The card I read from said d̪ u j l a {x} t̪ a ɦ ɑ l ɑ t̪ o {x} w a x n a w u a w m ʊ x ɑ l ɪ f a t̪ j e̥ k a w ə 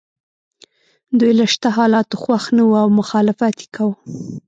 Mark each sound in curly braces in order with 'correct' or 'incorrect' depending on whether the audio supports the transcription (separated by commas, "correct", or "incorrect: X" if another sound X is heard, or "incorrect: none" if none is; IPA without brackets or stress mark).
incorrect: ʃ, correct